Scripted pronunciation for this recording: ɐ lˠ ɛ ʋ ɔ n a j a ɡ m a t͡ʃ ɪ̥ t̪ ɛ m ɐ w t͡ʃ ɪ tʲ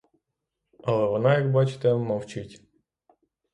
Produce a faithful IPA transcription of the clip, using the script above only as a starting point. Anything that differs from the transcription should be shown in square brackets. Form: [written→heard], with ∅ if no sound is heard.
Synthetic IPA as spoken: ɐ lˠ ɛ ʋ ɔ n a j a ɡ [m→b] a t͡ʃ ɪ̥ t̪ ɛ m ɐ w t͡ʃ ɪ tʲ